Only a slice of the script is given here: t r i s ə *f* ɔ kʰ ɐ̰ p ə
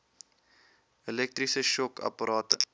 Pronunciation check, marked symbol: incorrect: ʃ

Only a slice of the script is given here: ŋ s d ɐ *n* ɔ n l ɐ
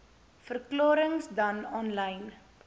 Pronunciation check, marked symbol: correct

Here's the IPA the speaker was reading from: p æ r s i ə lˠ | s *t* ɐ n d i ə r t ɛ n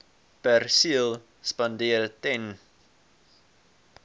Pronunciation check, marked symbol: incorrect: p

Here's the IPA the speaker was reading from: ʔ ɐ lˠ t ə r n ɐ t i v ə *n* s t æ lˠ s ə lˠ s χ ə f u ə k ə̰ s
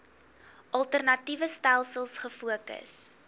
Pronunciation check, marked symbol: incorrect: none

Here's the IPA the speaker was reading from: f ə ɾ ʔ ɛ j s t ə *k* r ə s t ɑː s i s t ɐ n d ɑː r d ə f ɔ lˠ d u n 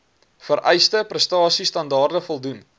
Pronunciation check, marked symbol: incorrect: p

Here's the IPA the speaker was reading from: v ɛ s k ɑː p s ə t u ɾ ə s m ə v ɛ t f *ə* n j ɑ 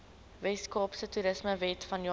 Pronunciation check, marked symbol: incorrect: ɐ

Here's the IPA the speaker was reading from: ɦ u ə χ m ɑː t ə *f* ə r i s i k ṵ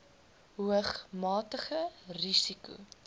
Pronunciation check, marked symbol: incorrect: χ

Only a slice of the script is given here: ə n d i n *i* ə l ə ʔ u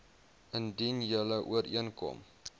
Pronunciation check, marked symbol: incorrect: j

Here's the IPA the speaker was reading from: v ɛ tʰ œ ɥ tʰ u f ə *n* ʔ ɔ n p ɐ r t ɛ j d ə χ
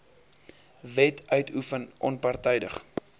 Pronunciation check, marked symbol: correct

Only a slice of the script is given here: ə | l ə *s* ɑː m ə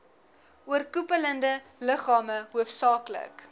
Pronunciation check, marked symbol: incorrect: χ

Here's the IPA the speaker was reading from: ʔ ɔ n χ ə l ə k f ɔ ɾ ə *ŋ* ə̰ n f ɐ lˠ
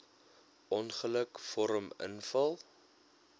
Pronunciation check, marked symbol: incorrect: m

